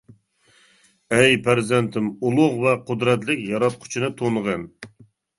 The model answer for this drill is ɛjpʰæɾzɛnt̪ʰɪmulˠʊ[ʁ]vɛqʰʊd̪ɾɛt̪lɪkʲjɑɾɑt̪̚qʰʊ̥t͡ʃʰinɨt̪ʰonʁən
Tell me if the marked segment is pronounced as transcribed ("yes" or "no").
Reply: yes